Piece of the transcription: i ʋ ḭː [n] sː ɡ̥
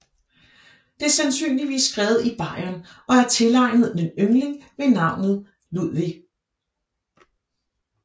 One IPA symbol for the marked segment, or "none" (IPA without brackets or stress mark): none